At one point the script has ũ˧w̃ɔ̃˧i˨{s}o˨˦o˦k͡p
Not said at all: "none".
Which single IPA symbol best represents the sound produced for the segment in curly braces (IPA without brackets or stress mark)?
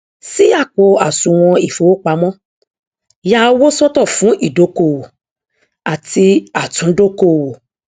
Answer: f